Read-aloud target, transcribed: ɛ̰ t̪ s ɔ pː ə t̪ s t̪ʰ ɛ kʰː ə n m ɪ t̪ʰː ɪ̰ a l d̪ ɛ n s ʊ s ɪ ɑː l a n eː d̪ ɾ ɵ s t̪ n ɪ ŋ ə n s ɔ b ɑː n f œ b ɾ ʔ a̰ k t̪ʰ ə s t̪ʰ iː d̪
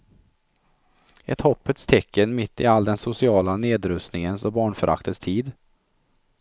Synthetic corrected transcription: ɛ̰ t̪ h ɔ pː ə t̪ s t̪ʰ ɛ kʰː ə n m ɪ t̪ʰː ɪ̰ a l d̪ ɛ n s ʊ s ɪ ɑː l a n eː d̪ ɾ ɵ s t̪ n ɪ ŋ ə n s ɔ b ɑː ɳ f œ ɾ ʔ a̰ k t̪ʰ ə s t̪ʰ iː d̪